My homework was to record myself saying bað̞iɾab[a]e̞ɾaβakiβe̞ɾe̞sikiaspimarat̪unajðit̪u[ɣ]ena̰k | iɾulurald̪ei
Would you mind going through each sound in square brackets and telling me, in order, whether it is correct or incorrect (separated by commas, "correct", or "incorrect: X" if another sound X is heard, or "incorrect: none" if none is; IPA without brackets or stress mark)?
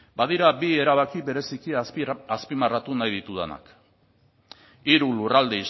incorrect: i, incorrect: ð